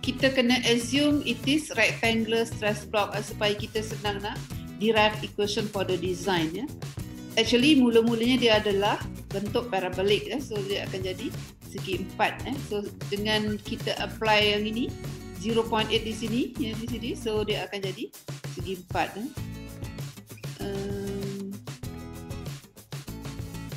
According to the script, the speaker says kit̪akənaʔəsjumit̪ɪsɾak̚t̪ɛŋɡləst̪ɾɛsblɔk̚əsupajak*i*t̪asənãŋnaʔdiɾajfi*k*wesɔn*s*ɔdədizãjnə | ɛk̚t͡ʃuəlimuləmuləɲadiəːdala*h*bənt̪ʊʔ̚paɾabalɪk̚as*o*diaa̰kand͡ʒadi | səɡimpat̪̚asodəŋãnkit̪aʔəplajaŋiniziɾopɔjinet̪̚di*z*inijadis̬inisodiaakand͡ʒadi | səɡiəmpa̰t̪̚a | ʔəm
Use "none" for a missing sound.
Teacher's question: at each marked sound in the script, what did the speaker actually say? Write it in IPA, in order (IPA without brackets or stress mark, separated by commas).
i, k, f, h, o, s